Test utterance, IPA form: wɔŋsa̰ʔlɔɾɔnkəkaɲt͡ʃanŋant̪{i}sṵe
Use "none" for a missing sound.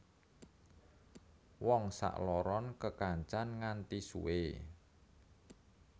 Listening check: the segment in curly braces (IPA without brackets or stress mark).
i